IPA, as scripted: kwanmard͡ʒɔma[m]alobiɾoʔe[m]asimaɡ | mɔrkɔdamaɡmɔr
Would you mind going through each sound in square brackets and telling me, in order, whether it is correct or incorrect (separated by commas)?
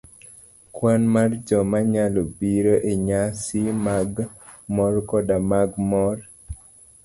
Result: incorrect, incorrect